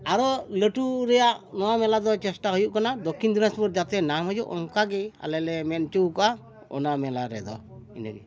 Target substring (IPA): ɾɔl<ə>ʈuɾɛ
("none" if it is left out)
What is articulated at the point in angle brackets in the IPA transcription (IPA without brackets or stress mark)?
ə